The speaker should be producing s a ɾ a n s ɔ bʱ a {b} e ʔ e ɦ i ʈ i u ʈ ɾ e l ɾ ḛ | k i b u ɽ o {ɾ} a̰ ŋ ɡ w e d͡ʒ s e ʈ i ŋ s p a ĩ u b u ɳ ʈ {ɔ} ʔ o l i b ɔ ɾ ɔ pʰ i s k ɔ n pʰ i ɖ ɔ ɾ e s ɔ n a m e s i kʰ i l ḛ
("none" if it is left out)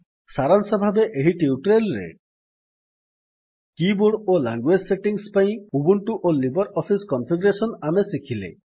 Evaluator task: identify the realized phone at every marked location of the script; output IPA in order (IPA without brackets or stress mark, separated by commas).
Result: b, l, u